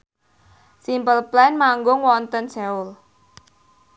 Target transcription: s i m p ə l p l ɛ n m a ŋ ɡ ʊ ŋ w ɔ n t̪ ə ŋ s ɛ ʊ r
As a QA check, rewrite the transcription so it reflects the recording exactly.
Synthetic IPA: s i m p ə l p l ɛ n m a ŋ ɡ ʊ ŋ w ɔ n t̪ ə n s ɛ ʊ l